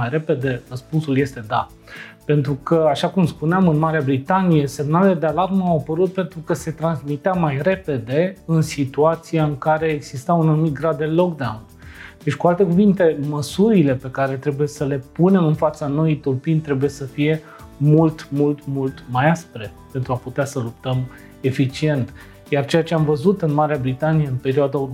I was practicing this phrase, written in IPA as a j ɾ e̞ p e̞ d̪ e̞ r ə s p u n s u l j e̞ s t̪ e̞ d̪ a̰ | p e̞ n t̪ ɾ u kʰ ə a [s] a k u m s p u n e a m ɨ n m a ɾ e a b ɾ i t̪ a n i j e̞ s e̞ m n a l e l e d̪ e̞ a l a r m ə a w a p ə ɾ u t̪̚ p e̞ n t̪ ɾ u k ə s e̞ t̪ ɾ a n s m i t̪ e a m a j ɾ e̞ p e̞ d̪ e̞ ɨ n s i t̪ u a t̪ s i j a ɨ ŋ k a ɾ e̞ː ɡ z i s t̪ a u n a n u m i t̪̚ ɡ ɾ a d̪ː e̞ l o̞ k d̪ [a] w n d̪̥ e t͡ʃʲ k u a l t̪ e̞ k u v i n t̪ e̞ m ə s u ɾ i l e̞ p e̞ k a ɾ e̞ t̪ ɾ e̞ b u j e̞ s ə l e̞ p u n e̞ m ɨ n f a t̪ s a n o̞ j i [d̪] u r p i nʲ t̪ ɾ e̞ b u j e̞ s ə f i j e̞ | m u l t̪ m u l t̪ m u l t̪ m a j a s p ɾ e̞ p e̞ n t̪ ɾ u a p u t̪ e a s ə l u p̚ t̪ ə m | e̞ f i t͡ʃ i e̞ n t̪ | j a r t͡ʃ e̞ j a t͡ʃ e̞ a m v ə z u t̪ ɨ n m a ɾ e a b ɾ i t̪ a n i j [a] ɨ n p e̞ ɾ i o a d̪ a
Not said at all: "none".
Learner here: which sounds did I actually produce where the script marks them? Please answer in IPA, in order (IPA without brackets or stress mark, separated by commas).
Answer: ʃ, a, t̪, e